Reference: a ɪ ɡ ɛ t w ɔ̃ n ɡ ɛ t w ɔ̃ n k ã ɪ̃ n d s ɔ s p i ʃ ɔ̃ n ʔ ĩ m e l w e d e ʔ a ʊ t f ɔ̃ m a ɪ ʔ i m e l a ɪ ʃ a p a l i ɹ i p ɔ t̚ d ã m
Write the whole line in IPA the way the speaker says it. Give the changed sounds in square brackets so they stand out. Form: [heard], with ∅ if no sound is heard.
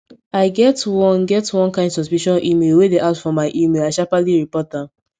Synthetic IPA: a ɪ ɡ ɛ t w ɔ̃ n ɡ ɛ t w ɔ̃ n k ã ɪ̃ n d s ɔ s p i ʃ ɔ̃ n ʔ [i] m e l w e d e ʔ a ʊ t f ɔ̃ m a ɪ ʔ i m e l a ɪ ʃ a p a l i ɹ i p ɔ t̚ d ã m